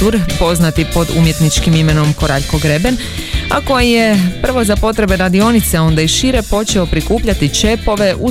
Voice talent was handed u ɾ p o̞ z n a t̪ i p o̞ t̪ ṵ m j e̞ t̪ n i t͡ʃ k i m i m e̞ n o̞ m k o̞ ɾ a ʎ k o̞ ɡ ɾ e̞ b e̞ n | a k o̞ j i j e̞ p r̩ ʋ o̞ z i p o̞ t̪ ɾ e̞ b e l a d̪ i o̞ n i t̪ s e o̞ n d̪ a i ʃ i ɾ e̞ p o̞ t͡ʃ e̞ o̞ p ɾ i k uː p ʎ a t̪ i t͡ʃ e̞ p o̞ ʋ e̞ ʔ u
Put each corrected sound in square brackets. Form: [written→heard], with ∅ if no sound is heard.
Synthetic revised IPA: u ɾ p o̞ z n a t̪ i p o̞ [t̪→d̪] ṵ m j e̞ t̪ n i t͡ʃ k i m i m e̞ n o̞ m k o̞ ɾ a ʎ k o̞ ɡ ɾ e̞ b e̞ n | a k o̞ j i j e̞ p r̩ ʋ o̞ z [i→a] p o̞ t̪ ɾ e̞ b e [l→ɾ] a d̪ i o̞ n i t̪ s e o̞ n d̪ a i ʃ i ɾ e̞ p o̞ t͡ʃ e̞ o̞ p ɾ i k uː p ʎ a t̪ i t͡ʃ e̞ p o̞ ʋ e̞ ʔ u